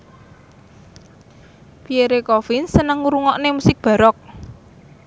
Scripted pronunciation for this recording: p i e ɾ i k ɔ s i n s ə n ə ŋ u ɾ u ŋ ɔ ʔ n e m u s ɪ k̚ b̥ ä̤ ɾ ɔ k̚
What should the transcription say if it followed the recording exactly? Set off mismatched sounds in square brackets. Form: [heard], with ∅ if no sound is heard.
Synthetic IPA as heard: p i e ɾ [e] k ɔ [f] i n s ə n ə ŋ u ɾ u ŋ ɔ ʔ n e m u s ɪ k̚ b̥ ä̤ ɾ ɔ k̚